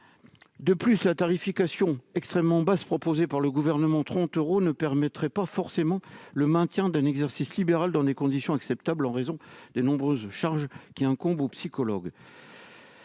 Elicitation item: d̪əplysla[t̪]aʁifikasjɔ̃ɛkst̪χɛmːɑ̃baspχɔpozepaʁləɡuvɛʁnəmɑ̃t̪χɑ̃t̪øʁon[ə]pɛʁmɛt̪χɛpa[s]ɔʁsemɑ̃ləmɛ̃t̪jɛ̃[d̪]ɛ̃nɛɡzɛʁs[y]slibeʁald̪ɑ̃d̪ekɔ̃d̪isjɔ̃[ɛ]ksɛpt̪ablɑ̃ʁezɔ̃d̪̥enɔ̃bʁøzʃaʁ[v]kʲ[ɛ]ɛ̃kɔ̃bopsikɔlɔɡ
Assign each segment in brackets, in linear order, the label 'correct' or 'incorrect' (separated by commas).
correct, correct, incorrect, correct, incorrect, incorrect, incorrect, incorrect